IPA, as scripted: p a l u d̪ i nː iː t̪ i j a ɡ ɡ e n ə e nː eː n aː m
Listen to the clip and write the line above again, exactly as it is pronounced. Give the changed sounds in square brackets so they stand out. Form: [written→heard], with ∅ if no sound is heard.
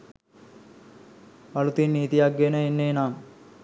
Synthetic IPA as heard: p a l u [d̪→t̪] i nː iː t̪ i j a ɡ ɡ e n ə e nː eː n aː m